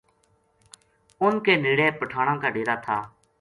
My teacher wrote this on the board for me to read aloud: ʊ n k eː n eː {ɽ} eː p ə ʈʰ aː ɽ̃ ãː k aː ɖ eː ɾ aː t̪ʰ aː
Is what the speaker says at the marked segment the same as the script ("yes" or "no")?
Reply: yes